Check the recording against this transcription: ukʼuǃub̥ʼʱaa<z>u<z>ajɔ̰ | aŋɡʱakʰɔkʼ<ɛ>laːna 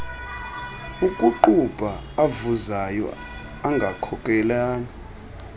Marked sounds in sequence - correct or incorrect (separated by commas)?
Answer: incorrect, correct, correct